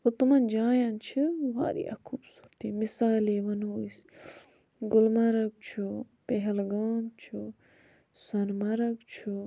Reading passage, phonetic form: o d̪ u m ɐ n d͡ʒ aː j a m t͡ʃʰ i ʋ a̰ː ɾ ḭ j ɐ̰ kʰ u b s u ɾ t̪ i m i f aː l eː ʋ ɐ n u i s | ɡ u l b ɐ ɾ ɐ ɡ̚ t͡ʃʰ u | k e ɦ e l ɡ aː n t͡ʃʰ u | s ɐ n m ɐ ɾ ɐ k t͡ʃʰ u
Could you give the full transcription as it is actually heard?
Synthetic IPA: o t̪ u m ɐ n d͡ʒ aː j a n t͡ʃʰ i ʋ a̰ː ɾ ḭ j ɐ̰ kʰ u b s u ɾ t̪ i m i s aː l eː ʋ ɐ n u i s | ɡ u l m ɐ ɾ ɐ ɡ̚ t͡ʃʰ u | p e ɦ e l ɡ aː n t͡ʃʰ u | s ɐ n m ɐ ɾ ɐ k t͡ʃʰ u